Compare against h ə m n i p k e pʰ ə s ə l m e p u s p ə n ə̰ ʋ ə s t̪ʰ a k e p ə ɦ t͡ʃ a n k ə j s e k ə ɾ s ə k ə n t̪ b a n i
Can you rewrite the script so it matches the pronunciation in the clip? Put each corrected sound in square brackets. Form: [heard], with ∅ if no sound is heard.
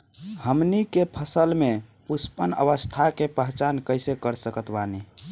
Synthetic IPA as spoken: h ə m n i [∅] k e pʰ ə s ə l m e p u s p ə n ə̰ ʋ ə s t̪ʰ a k e p ə ɦ t͡ʃ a n k ə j s e k ə ɾ s ə k ə [∅] t̪ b a n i